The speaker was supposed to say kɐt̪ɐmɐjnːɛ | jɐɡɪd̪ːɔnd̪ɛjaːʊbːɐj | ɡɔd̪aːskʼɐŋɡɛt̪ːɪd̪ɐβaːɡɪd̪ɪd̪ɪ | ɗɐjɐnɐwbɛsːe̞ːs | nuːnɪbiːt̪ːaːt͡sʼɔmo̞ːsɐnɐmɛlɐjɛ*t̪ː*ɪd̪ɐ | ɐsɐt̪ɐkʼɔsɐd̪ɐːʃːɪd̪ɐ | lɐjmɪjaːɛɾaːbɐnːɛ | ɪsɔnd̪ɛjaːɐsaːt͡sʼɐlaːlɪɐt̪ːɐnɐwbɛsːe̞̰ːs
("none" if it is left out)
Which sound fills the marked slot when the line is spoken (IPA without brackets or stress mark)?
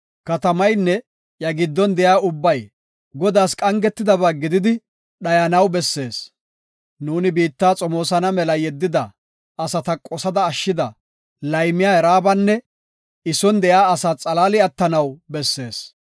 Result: d̪ː